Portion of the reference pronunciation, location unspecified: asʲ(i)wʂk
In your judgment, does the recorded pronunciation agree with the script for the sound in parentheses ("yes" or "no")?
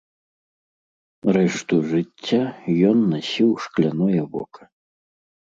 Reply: yes